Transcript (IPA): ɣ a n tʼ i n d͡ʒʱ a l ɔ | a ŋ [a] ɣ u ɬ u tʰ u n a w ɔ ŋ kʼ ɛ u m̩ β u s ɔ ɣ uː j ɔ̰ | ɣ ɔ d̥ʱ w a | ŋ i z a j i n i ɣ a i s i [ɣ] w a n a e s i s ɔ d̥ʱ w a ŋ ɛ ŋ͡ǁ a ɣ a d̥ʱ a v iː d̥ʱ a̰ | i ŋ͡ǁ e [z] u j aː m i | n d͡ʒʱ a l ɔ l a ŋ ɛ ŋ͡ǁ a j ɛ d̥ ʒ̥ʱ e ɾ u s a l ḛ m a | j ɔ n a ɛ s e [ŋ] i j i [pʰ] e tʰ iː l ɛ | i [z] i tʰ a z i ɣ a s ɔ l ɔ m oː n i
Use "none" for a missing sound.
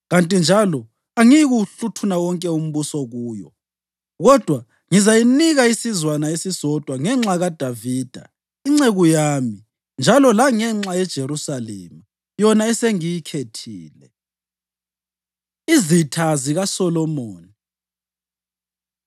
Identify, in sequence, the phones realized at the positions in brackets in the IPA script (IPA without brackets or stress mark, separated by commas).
i, z, ɣ, ŋ, kʰ, z